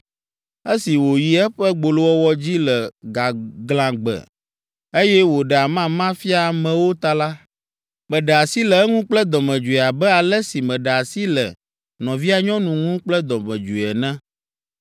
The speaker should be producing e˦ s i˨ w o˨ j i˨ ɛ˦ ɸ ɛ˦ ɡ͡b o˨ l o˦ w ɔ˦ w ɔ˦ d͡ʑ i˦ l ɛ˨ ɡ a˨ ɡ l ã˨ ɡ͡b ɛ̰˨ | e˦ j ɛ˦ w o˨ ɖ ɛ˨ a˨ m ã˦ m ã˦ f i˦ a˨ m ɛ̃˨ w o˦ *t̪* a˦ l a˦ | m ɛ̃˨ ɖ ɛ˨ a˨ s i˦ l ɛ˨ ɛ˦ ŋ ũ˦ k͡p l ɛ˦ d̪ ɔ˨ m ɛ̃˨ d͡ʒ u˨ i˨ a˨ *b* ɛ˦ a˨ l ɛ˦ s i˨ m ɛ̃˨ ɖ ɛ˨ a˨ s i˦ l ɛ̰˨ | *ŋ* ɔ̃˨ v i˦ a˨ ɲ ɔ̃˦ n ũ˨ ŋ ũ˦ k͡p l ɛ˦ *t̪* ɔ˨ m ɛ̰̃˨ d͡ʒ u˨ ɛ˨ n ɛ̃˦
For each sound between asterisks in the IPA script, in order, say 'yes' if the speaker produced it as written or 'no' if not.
yes, yes, no, no

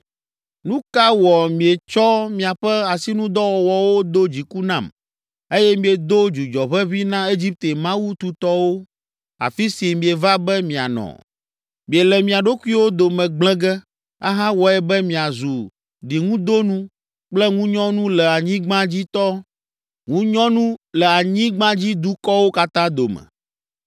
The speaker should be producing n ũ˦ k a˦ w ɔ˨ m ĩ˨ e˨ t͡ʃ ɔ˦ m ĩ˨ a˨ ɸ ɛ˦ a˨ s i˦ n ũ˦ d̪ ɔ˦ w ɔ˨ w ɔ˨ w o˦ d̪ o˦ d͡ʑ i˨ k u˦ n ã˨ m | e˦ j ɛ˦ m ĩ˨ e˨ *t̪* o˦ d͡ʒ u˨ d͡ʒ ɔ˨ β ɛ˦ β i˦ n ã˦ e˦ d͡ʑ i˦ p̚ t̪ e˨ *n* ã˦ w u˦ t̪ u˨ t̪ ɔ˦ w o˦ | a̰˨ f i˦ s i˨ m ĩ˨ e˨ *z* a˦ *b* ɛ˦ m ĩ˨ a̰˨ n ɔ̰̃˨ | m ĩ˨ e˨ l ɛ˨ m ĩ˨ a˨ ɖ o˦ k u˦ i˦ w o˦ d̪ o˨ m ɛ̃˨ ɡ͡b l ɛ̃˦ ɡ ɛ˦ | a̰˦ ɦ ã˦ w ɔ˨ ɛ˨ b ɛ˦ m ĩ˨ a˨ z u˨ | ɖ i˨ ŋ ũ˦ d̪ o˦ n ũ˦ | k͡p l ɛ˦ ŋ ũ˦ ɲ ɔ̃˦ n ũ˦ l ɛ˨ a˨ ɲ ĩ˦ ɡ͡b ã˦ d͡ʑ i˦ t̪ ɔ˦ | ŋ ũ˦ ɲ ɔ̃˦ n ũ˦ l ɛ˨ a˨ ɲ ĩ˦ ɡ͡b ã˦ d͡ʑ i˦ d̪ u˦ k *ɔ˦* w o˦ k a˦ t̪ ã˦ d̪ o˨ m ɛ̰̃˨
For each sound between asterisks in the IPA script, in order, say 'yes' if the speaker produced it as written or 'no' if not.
no, no, no, yes, yes

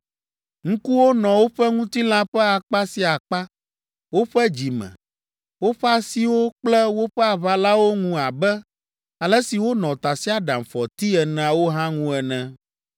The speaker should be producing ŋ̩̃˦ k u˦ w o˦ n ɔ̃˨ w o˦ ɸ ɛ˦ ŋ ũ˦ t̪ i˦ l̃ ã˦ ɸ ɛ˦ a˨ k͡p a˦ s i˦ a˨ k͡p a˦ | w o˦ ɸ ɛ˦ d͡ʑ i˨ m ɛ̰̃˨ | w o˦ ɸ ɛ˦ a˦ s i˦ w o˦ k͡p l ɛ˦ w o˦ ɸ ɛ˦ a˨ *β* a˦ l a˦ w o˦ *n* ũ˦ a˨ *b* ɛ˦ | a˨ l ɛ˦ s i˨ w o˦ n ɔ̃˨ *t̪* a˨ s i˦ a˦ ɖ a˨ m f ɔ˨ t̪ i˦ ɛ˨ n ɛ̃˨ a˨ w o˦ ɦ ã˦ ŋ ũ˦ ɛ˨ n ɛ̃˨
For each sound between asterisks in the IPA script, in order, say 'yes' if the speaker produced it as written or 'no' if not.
yes, no, yes, yes

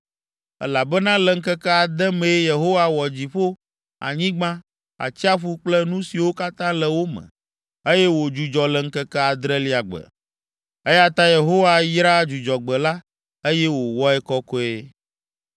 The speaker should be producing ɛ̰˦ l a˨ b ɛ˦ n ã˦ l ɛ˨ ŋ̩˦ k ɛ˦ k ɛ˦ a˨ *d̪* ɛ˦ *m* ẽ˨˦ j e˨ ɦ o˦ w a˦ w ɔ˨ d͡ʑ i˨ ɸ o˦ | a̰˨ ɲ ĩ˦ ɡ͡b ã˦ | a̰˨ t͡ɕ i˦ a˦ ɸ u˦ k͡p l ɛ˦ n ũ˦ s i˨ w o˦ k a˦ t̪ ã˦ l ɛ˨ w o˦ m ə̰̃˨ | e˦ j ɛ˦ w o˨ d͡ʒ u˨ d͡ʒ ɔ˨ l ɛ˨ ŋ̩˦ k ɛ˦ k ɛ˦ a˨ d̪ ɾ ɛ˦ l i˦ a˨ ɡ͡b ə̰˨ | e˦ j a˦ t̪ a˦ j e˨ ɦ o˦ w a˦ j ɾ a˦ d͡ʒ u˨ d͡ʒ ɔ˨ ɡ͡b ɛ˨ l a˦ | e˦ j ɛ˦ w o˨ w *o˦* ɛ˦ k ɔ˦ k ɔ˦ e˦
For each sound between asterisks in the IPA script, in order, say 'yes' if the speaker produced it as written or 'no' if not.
yes, yes, no

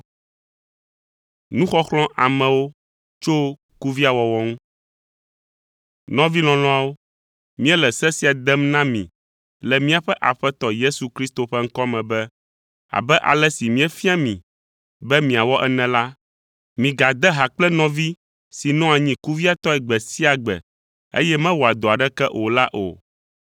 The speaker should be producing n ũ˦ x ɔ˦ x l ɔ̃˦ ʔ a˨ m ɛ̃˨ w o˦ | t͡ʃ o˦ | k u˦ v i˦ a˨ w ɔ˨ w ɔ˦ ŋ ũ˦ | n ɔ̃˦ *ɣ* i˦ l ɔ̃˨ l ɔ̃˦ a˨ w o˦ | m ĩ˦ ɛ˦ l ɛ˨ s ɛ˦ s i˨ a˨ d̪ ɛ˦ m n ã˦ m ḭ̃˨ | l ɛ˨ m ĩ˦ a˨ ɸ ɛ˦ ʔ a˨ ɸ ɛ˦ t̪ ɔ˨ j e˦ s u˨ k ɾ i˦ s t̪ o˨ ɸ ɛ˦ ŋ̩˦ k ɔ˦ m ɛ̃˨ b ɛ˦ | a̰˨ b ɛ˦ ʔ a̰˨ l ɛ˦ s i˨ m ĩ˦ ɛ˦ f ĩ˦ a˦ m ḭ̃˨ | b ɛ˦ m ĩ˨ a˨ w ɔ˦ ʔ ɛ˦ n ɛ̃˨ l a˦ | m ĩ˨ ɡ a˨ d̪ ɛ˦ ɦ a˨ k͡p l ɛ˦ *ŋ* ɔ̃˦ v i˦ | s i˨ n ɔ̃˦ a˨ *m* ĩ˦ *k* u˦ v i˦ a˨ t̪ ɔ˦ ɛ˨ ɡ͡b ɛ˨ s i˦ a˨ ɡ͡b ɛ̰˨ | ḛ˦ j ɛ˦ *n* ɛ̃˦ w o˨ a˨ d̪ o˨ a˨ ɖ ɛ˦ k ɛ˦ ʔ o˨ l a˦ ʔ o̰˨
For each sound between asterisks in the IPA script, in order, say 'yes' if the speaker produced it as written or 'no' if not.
no, no, no, yes, no

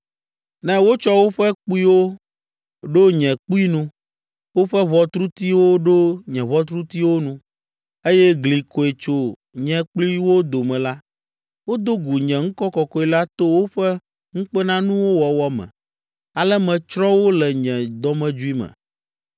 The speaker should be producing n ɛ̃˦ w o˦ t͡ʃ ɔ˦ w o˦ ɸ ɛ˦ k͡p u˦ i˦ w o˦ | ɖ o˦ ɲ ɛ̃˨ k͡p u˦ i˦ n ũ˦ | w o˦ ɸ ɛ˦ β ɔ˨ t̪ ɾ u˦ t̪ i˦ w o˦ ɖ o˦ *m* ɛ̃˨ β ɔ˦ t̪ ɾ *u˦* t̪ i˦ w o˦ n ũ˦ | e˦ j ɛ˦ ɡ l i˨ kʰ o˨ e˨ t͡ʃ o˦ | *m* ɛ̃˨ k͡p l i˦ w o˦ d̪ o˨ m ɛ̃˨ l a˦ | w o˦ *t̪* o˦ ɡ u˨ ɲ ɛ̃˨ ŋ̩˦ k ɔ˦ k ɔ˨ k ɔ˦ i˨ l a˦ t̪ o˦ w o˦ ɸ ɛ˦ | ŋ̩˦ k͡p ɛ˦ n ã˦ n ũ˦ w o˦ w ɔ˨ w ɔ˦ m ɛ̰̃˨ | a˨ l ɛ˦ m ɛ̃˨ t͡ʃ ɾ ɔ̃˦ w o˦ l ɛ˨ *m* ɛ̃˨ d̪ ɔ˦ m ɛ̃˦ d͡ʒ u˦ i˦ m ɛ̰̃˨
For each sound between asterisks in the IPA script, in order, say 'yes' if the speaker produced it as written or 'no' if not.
no, yes, no, no, no

